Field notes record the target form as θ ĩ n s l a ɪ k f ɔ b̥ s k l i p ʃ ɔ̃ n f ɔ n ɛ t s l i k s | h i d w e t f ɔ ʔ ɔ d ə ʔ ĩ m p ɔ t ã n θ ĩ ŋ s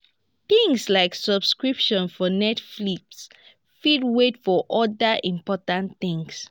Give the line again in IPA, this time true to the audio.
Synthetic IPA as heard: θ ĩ ŋ s l a ɪ k s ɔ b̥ s k ɹ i p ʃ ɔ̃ n f ɔ n ɛ t f l i k s | f i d w e t f ɔ ʔ ɔ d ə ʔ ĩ m p ɔ t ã n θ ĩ ŋ s